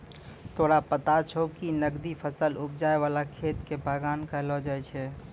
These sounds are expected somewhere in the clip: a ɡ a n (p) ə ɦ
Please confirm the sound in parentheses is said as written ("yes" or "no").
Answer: no